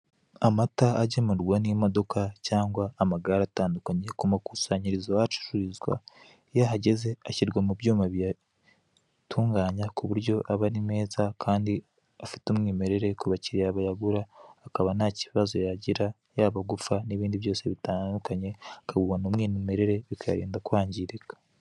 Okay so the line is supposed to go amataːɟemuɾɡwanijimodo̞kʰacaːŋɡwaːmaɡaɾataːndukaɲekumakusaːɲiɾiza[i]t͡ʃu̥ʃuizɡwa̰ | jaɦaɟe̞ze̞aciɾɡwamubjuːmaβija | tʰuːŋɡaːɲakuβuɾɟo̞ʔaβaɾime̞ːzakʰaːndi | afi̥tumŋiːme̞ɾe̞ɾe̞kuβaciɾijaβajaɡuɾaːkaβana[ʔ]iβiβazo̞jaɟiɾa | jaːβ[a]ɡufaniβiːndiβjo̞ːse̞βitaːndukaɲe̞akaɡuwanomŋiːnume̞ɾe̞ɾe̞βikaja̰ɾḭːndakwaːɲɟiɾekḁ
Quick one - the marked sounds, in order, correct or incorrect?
incorrect: a, incorrect: c, correct

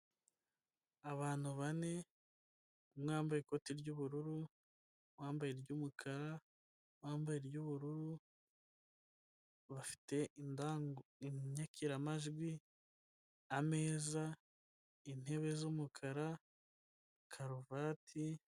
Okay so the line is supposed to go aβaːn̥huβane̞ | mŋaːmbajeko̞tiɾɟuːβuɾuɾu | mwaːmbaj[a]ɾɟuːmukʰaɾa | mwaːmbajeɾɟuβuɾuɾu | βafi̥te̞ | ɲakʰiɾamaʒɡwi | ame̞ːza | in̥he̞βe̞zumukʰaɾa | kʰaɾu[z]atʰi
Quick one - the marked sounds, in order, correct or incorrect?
incorrect: e, incorrect: v

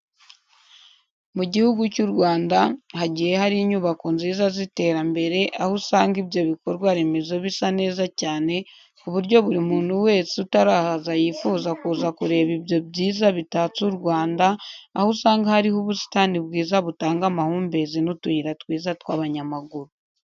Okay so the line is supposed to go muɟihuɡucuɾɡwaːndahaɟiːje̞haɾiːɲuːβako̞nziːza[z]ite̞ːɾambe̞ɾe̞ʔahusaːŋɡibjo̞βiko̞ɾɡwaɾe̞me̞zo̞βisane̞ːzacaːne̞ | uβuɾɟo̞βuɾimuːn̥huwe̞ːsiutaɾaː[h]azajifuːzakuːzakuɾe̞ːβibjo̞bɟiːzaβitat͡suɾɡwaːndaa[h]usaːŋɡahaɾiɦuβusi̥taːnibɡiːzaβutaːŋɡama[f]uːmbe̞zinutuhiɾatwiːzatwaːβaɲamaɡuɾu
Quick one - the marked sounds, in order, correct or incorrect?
correct, correct, correct, incorrect: h

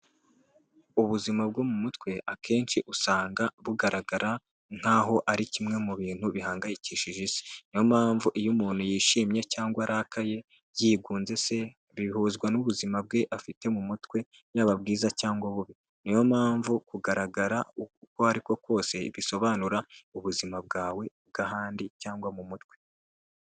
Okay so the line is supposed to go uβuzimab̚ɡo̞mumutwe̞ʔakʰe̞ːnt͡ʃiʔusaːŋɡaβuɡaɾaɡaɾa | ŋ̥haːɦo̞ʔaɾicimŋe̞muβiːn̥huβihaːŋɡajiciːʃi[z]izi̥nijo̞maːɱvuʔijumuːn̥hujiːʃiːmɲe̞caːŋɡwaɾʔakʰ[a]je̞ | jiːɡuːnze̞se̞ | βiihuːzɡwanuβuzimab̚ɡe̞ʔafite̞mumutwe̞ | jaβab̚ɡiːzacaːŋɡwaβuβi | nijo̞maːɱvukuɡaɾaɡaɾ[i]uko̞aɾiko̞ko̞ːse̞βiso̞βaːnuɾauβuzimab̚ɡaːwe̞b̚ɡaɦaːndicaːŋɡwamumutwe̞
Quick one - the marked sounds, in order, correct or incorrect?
incorrect: ʒ, correct, incorrect: a

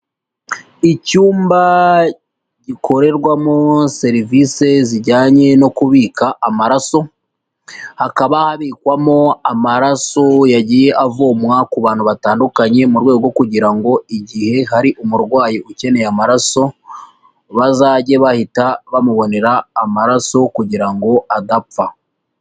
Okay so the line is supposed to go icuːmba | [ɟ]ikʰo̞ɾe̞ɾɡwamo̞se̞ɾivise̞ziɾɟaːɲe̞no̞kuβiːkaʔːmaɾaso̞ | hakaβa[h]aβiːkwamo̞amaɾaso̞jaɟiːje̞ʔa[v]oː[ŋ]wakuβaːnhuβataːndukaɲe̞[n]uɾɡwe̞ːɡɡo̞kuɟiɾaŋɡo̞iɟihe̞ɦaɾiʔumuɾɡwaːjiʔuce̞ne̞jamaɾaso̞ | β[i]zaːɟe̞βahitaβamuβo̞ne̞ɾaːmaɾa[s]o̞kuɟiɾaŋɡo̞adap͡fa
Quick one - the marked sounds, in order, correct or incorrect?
correct, correct, correct, incorrect: m, incorrect: m, incorrect: a, correct

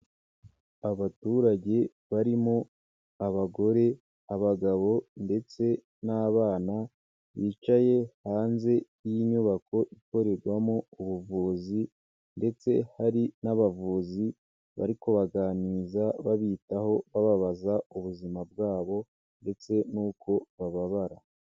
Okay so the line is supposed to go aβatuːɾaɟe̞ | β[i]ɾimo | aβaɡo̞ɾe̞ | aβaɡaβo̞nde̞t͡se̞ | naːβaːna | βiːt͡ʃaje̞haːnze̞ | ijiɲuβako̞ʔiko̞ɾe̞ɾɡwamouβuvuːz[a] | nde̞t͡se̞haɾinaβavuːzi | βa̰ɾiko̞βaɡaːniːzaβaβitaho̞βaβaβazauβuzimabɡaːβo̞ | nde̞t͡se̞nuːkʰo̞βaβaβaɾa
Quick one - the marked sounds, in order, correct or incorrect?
incorrect: a, incorrect: i

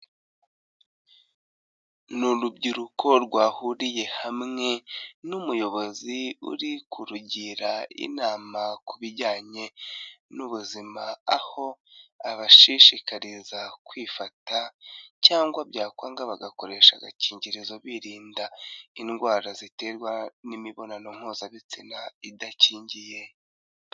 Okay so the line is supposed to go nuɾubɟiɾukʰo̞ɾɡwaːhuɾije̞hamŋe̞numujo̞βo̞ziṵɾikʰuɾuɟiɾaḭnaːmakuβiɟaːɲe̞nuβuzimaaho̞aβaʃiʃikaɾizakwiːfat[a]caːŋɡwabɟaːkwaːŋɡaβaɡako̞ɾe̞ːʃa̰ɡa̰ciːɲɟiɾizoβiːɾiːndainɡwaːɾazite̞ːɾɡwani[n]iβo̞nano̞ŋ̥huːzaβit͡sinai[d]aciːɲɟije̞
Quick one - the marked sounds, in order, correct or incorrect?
correct, incorrect: m, correct

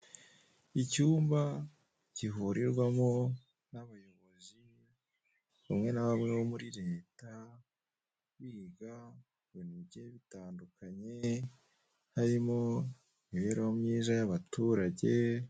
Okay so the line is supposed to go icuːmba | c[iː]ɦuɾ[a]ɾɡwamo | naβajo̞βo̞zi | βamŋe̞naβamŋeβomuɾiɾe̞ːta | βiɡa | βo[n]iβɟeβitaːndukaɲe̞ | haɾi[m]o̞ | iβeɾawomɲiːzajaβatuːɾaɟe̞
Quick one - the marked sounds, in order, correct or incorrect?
incorrect: i, incorrect: i, correct, correct

